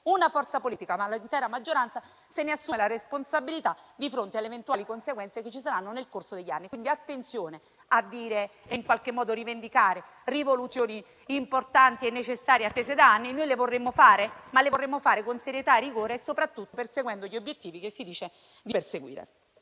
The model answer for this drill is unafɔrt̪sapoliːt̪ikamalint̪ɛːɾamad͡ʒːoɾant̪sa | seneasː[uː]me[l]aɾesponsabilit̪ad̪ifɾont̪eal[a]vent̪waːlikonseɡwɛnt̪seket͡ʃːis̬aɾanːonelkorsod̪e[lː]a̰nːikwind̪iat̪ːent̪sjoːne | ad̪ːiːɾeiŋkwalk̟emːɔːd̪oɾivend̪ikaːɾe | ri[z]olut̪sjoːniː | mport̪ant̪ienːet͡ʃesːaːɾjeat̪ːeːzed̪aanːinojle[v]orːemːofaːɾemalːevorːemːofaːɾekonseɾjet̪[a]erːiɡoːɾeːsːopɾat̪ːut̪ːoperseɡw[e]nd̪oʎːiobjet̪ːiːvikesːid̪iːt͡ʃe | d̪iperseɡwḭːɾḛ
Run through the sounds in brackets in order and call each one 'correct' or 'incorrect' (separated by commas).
incorrect, correct, incorrect, incorrect, incorrect, correct, correct, incorrect